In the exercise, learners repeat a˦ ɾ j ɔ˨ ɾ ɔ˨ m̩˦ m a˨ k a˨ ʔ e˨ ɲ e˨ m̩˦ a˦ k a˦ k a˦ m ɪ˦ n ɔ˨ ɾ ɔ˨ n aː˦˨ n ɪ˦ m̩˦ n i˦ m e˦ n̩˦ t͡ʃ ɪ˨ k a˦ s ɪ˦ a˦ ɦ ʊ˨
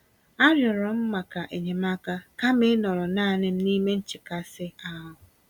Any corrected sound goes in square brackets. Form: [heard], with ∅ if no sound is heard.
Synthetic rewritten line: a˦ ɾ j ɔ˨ ɾ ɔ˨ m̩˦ m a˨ k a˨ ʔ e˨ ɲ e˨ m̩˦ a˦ k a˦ k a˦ m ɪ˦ n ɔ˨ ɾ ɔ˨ n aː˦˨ n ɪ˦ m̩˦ n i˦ m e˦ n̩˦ t͡ʃ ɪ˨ k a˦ s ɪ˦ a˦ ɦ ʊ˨

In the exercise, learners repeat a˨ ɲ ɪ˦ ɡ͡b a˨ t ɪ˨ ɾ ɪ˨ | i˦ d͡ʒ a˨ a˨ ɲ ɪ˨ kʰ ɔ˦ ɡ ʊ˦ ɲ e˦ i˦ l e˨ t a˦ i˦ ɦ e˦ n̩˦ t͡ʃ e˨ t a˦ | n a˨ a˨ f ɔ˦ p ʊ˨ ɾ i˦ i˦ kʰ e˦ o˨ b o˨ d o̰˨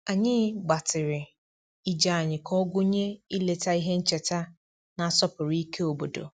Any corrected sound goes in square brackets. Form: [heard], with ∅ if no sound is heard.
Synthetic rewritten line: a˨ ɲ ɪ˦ ɡ͡b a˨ t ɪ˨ ɾ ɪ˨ | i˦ d͡ʒ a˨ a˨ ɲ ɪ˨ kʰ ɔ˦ ɡ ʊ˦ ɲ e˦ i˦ l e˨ t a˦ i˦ ɦ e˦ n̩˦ t͡ʃ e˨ t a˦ | n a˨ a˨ [s] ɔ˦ p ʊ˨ ɾ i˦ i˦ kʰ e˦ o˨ b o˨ d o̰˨

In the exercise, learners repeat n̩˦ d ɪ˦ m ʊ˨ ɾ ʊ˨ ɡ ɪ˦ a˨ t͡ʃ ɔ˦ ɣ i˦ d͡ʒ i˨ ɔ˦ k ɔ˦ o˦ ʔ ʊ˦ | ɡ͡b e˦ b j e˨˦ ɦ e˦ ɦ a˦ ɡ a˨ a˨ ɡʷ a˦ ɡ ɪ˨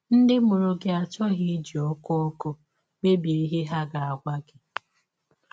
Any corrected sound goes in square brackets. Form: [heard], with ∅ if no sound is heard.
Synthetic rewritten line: n̩˦ d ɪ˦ m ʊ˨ ɾ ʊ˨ ɡ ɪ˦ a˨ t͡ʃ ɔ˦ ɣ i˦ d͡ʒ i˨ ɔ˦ k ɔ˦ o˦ [k] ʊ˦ | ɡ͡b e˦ b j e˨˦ ɦ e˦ ɦ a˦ ɡ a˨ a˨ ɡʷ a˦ ɡ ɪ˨

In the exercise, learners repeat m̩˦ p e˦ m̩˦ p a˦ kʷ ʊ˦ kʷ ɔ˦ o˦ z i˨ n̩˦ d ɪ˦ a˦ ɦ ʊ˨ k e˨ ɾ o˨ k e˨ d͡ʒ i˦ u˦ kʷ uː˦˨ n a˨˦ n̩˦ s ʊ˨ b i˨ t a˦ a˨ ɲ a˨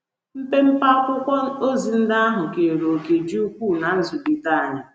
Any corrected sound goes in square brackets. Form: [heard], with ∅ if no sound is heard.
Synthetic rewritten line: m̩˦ p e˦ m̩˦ p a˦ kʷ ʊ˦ kʷ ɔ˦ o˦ z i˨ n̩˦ d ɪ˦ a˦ ɦ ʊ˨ k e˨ ɾ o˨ k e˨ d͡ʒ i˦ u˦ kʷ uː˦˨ n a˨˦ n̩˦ [z] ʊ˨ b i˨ t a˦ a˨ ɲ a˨

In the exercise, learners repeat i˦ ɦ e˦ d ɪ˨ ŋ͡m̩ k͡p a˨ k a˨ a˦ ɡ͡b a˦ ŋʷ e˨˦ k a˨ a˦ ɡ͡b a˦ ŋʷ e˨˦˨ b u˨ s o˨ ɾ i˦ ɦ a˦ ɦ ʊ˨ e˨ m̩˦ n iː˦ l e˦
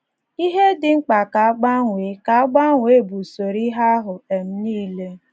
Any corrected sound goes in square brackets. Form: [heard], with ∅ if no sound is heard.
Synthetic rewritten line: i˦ ɦ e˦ d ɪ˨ ŋ͡m̩ k͡p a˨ k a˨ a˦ ɡ͡b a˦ ŋʷ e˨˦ k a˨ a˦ ɡ͡b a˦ ŋʷ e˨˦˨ b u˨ s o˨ ɾ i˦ ɦ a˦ ɦ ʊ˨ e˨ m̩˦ n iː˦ l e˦

